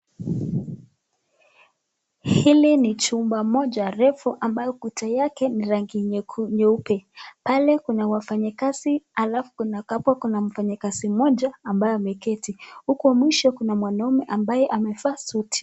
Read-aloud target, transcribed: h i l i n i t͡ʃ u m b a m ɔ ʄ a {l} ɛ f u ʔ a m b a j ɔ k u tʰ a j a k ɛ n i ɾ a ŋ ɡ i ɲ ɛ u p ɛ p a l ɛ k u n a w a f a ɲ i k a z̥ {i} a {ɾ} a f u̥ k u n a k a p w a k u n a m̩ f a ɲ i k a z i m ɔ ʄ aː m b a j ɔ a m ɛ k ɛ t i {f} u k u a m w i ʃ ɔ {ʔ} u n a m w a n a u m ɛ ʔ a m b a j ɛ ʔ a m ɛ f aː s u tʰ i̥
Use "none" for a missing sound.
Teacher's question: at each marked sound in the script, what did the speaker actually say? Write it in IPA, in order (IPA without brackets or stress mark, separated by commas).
ɾ, i, l, h, k